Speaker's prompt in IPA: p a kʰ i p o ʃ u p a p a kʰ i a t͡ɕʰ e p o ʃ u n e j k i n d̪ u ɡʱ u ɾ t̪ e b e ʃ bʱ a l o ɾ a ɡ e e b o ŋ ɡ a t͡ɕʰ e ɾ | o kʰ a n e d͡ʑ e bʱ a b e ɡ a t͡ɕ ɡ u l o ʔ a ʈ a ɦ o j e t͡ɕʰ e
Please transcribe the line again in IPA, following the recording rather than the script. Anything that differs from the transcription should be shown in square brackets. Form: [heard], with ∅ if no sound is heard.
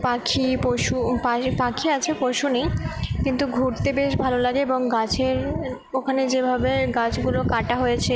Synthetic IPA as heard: p a kʰ i p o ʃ u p a p a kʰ i a t͡ɕʰ e p o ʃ u n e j k i n [t̪] u ɡʱ u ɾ t̪ e b e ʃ bʱ a l o [l] a ɡ e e b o ŋ ɡ a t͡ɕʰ e ɾ | o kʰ a n e d͡ʑ e bʱ a b e ɡ a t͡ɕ ɡ u l o [k] a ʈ a ɦ o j e t͡ɕʰ e

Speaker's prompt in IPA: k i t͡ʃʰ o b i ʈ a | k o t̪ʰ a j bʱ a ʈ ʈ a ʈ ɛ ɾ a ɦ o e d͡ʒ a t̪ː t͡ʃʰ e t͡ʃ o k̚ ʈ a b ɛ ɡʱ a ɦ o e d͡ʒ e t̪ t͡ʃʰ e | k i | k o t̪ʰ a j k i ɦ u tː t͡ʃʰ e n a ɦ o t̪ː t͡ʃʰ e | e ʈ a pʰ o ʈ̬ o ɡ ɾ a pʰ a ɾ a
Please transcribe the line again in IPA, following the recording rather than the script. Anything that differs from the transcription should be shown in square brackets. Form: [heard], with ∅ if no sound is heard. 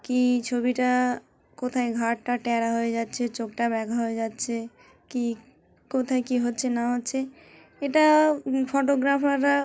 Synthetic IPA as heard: k i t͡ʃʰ o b i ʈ a | k o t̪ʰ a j [ɡʱ] a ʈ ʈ a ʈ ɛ ɾ a ɦ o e d͡ʒ a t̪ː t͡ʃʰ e t͡ʃ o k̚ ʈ a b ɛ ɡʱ a ɦ o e d͡ʒ [a] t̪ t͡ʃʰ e | k i | k o t̪ʰ a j k i ɦ [o] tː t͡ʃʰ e n a ɦ o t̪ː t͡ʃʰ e | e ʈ a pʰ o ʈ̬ o ɡ ɾ a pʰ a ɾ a

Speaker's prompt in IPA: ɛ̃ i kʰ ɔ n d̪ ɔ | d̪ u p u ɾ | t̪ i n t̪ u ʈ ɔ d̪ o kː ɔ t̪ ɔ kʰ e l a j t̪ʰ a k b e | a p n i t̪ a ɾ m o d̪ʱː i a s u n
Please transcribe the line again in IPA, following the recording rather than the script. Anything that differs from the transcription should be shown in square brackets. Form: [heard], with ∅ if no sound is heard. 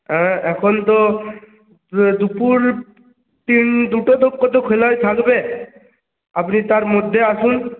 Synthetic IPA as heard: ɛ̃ [ɛ] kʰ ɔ n [t̪] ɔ | d̪ u p u ɾ | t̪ i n [d̪] u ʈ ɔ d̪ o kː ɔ t̪ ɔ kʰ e l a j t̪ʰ a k b e | a p n i t̪ a ɾ m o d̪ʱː [e] a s u n

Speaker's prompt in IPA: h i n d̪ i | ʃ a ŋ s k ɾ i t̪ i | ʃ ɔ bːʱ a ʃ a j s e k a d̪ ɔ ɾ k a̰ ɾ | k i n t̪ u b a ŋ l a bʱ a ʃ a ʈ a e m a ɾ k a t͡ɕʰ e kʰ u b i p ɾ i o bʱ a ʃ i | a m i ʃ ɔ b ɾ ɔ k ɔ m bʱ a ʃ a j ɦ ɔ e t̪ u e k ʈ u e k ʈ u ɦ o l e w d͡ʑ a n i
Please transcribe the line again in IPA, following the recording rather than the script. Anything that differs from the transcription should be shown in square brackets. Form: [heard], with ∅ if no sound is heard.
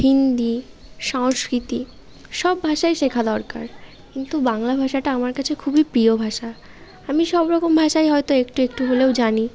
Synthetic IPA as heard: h i n d̪ i | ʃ a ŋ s k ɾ i t̪ i | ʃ ɔ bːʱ a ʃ a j [ʃ] e [kʰ] a d̪ ɔ ɾ k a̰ ɾ | k i n t̪ u b a ŋ l a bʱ a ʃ a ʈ a [a] m a ɾ k a t͡ɕʰ e kʰ u b i p ɾ i o bʱ a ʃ [a] | a m i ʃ ɔ b ɾ ɔ k [o] m bʱ a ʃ a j ɦ ɔ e t̪ [o] e k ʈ u e k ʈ u ɦ o l e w d͡ʑ a n i

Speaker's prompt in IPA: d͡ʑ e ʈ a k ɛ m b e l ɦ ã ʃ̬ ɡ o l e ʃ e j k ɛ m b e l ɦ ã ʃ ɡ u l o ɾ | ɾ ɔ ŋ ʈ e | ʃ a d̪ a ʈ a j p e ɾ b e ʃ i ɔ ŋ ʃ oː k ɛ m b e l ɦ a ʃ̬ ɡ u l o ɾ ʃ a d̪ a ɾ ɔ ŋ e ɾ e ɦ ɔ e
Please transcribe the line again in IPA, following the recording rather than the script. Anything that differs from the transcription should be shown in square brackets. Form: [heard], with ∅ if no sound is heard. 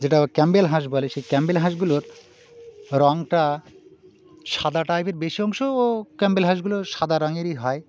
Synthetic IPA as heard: d͡ʑ e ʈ a k ɛ m b e l ɦ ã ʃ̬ [b] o l e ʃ e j k ɛ m b e l ɦ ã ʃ ɡ u l o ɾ | ɾ ɔ ŋ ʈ [a] | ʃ a d̪ a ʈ a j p e ɾ b e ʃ i ɔ ŋ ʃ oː k ɛ m b e l ɦ a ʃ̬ ɡ u l o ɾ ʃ a d̪ a ɾ ɔ ŋ e ɾ [i] ɦ ɔ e

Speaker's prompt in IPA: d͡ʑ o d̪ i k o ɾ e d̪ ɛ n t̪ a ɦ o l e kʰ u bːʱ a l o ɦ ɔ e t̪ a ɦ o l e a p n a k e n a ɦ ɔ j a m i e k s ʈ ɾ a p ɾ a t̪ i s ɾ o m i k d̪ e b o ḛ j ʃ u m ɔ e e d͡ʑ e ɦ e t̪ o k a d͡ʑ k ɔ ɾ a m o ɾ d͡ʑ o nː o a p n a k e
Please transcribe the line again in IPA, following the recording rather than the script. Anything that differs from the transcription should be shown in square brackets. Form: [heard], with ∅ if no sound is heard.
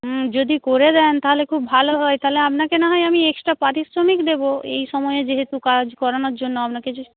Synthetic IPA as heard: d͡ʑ o d̪ i k o ɾ e d̪ ɛ n t̪ a ɦ o l e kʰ u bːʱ a l o ɦ ɔ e t̪ a ɦ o l e a p n a k e n a ɦ ɔ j a m i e k s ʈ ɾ a p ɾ a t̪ i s ɾ o m i k d̪ e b o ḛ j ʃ [ɔ] m ɔ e e d͡ʑ e ɦ e t̪ [u] k a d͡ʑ k ɔ ɾ a [n] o ɾ d͡ʑ o nː o a p n a k e

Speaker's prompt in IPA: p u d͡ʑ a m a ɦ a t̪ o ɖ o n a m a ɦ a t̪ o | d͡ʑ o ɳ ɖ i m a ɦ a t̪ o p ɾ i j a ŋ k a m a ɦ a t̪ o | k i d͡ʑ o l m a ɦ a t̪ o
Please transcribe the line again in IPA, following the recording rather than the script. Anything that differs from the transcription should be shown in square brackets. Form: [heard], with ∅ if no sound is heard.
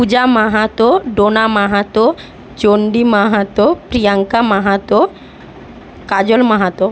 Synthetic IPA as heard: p u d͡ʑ a m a ɦ a t̪ o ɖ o n a m a ɦ a t̪ o | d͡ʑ o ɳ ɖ i m a ɦ a t̪ o p ɾ i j a ŋ k a m a ɦ a t̪ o | k [a] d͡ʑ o l m a ɦ a t̪ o

